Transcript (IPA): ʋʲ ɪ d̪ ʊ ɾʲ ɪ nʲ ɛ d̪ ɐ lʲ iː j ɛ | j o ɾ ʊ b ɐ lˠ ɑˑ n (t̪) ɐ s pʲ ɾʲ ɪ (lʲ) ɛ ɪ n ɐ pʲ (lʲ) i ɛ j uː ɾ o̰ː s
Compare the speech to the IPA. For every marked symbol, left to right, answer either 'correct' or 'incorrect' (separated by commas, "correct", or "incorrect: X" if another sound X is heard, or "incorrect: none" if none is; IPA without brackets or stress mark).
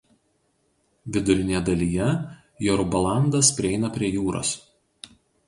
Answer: incorrect: d̪, incorrect: none, incorrect: ɾʲ